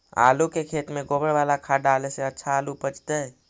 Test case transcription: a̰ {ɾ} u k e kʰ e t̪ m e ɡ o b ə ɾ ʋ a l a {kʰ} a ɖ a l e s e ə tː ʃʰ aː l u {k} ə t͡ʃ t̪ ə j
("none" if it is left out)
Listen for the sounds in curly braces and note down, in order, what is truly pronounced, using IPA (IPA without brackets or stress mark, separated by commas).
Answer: l, kʰ, p